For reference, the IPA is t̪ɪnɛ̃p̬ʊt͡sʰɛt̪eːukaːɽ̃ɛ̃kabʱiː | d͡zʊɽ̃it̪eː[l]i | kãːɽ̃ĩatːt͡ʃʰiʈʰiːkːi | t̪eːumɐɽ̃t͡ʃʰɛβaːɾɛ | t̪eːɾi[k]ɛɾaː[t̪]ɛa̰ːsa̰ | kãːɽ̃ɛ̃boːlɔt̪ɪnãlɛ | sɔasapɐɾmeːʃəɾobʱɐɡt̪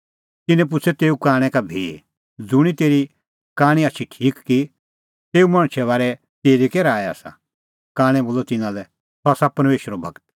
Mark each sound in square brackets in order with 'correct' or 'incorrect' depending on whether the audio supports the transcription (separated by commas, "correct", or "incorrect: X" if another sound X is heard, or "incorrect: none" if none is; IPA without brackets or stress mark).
incorrect: ɾ, correct, incorrect: none